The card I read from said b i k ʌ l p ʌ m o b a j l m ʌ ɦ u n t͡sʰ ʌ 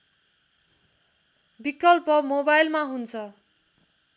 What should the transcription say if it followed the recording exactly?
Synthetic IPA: b i k ʌ l p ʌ m o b a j l m a ɦ u n t͡sʰ ʌ